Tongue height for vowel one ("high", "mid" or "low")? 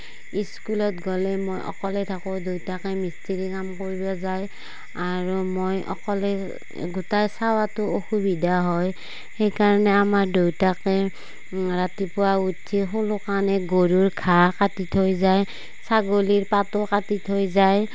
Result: high